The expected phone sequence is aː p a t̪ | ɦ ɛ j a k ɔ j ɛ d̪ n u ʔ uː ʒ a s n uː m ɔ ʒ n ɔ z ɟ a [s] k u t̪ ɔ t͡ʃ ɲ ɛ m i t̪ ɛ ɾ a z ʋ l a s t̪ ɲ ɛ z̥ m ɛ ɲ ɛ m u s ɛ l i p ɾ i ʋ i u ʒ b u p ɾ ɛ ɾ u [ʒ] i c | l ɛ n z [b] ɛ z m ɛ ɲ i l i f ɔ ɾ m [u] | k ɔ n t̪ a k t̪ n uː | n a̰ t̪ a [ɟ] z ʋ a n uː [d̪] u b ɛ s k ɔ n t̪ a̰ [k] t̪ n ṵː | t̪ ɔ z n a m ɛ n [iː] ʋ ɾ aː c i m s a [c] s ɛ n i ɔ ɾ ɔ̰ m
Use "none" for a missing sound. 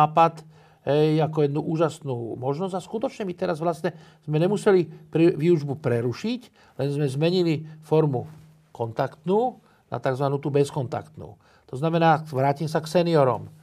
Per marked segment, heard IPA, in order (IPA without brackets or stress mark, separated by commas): s, ʃ, m, u, ɡ, t̪, k, aː, k